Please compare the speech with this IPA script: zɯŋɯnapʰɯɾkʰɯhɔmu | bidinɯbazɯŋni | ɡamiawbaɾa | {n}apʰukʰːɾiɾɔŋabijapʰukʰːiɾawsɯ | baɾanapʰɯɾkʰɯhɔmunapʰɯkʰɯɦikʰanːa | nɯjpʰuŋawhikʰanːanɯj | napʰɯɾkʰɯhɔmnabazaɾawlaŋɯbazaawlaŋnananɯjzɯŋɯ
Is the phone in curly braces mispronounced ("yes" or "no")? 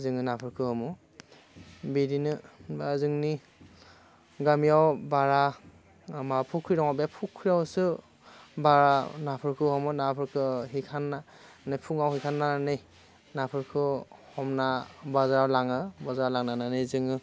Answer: yes